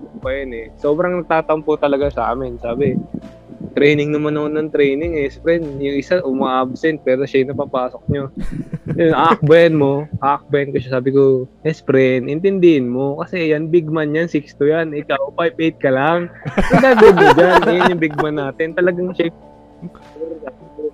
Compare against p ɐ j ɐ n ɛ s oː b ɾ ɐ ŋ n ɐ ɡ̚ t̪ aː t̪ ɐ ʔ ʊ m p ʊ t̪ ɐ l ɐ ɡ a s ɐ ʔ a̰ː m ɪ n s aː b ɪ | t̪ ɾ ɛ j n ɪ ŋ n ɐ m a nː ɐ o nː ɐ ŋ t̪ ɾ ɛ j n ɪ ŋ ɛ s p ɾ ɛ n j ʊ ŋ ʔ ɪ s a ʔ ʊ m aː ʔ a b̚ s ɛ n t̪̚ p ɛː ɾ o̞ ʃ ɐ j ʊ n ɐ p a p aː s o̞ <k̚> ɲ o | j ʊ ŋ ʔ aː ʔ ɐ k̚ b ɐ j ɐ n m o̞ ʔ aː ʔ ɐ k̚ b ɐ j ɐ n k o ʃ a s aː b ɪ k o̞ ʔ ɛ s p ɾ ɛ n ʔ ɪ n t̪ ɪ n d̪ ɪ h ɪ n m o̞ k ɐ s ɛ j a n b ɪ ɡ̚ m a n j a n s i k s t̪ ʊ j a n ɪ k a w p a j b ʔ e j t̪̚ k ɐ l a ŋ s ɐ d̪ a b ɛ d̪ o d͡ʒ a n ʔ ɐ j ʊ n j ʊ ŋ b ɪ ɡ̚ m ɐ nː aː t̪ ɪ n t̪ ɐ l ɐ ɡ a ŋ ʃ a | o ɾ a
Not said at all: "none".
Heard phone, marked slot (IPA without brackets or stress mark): k̚